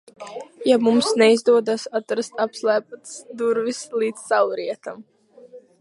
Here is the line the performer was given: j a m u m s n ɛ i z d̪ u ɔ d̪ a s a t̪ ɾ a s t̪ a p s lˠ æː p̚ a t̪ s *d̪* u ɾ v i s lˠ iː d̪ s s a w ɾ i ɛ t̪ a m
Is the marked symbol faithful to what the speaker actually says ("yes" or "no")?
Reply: yes